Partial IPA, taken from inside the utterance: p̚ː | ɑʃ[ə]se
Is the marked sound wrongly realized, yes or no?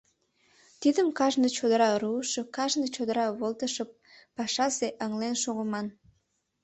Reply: yes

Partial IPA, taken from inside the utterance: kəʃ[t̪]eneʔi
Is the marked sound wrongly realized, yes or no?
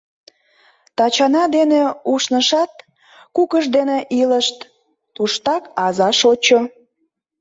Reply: yes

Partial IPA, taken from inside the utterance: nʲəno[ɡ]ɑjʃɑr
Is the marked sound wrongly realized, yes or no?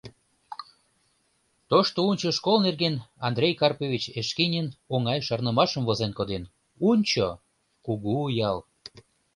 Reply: yes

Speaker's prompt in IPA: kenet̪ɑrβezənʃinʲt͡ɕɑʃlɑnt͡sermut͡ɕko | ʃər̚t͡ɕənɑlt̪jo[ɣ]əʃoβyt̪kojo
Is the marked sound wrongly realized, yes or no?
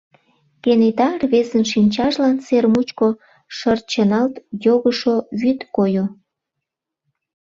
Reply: no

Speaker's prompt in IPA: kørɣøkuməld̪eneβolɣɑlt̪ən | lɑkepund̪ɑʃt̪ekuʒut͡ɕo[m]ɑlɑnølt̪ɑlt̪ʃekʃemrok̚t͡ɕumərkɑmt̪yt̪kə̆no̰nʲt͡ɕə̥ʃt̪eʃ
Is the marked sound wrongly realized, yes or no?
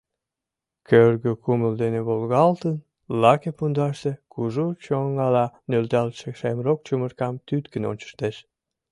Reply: yes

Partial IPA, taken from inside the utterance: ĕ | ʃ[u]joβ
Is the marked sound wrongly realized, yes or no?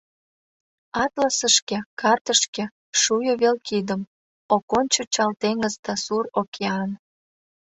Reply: no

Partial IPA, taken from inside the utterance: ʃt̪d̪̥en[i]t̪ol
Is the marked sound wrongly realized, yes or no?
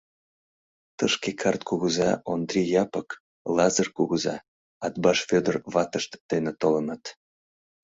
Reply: yes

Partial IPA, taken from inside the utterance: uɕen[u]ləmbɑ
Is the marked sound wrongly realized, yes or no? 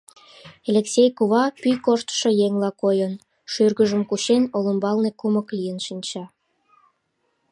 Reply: yes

